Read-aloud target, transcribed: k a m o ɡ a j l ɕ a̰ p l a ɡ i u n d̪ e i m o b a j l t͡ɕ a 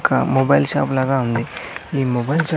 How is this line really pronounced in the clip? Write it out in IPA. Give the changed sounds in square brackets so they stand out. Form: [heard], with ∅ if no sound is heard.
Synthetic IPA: k a m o [b] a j l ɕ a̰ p l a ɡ [a] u n d̪ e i m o b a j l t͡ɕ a